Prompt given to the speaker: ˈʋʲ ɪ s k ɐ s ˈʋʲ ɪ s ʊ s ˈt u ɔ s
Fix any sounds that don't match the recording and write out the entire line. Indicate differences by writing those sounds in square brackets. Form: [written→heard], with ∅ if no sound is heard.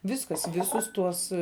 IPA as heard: ˈʋʲ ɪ s k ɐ s ˈʋʲ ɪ s ʊ s ˈt u ɔ s